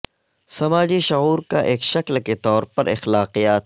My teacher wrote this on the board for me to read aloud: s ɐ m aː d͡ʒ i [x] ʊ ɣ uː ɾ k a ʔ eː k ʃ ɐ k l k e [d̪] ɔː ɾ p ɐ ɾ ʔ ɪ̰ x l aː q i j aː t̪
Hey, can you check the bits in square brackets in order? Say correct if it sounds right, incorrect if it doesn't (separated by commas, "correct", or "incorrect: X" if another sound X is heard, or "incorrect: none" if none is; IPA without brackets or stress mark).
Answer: incorrect: ʃ, incorrect: t̪